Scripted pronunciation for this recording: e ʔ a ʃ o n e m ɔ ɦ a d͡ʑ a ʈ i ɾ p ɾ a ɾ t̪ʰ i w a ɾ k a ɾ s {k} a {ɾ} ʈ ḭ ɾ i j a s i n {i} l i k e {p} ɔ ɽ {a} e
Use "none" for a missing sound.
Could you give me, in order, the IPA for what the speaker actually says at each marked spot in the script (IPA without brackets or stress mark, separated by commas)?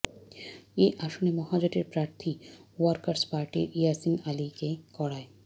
p, ɾ, a, k, a